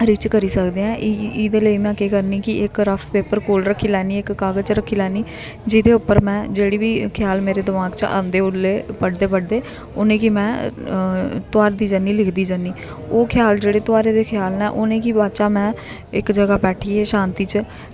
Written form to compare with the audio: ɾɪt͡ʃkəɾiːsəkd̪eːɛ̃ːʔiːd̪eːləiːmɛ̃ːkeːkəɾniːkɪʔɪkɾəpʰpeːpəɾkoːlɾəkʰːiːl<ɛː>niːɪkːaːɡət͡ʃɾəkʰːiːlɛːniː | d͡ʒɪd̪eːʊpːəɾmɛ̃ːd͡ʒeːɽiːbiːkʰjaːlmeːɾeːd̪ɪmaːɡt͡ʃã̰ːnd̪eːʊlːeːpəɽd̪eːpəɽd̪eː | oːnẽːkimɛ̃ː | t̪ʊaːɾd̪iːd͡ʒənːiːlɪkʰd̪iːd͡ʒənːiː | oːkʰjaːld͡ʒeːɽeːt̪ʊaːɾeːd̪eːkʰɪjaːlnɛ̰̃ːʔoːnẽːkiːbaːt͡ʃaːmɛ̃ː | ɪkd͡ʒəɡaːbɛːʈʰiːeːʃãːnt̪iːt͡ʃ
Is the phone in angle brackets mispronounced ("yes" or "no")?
no